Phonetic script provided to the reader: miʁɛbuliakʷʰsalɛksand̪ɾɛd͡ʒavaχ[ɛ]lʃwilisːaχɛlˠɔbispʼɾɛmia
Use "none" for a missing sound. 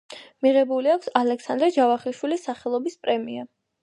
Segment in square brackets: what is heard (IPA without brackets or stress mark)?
i